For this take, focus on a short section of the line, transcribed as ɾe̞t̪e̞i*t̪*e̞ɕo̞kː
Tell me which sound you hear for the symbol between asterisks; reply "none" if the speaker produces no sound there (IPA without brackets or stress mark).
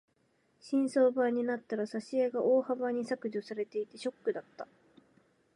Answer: t̪